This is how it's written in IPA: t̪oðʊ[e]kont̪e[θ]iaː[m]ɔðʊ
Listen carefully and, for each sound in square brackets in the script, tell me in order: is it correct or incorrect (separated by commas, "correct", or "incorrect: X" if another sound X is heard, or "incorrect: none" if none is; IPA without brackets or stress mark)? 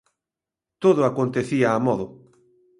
incorrect: a, correct, correct